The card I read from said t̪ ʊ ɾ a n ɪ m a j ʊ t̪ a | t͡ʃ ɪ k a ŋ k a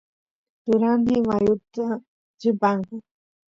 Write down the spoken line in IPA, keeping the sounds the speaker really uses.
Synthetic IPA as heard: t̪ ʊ ɾ a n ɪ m a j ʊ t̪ a | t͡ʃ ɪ p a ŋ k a